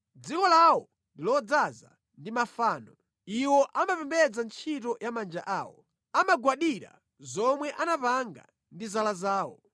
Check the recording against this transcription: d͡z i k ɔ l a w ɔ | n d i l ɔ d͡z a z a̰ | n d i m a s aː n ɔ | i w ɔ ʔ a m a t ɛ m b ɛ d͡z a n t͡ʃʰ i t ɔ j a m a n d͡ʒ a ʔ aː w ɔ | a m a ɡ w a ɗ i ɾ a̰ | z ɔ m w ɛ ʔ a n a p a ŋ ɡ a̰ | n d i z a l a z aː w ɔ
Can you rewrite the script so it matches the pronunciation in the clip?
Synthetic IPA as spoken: d͡z i k ɔ l a w ɔ | n d i l ɔ d͡z a z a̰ | n d i m a f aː n ɔ | i w ɔ ʔ a m a p ɛ m b ɛ d͡z a n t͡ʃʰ i t ɔ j a m a n d͡ʒ a ʔ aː w ɔ | a m a ɡ w a ɗ i ɾ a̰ | z ɔ m w ɛ ʔ a n a p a ŋ ɡ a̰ | n d i z a l a z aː w ɔ